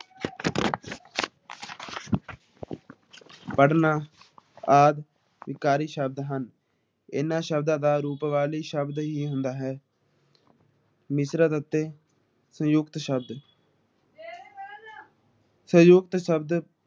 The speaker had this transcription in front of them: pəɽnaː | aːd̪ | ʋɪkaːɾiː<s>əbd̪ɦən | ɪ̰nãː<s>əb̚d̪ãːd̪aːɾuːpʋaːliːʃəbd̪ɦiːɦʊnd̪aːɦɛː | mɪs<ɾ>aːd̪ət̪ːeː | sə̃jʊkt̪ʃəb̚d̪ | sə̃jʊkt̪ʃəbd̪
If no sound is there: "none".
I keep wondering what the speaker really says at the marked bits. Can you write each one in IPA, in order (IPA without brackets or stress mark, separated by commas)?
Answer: ʃ, ʃ, ɾ